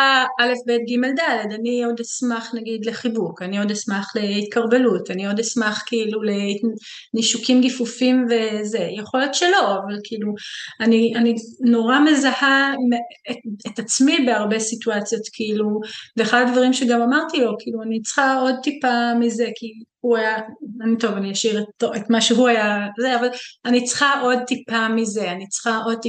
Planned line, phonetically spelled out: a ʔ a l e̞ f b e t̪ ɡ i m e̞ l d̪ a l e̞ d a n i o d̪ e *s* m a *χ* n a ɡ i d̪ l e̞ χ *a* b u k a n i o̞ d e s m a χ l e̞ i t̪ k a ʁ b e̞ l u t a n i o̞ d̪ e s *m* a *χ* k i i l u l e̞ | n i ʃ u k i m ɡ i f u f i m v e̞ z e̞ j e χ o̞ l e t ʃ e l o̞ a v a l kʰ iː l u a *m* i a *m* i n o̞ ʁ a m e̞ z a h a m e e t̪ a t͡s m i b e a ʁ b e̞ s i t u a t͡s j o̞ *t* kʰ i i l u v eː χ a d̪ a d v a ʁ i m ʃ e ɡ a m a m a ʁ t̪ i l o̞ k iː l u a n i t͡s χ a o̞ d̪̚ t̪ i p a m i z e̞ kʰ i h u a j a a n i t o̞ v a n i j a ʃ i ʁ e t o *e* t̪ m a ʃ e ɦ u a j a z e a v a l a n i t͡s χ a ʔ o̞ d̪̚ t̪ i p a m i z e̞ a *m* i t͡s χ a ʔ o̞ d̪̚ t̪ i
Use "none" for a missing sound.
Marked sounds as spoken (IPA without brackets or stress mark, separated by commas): s, χ, i, m, χ, n, n, t, e, n